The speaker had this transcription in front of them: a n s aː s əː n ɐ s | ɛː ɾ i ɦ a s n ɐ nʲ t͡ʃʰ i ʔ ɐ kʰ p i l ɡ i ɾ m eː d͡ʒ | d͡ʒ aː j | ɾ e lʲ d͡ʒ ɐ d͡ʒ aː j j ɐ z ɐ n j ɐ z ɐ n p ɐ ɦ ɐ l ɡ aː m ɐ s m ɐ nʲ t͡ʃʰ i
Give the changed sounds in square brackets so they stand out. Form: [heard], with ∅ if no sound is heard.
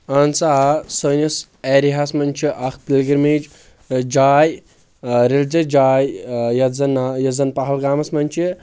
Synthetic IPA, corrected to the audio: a n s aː s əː n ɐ s | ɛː ɾ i ɦ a s [m] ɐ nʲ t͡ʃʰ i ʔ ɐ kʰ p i l ɡ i ɾ m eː d͡ʒ | d͡ʒ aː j | ɾ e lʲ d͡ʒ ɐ d͡ʒ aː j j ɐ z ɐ n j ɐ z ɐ n p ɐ ɦ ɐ l ɡ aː m ɐ s m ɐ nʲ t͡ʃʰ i